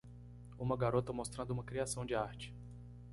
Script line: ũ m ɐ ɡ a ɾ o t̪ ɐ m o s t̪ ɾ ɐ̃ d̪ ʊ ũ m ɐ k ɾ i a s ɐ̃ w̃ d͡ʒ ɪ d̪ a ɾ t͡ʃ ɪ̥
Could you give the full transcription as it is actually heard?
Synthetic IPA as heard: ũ m ɐ ɡ a ɾ o t̪ ɐ m o s t̪ ɾ ɐ̃ d̪ ʊ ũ m ɐ k ɾ i a s ɐ̃ w̃ d͡ʒ ɪ a ɾ t͡ʃ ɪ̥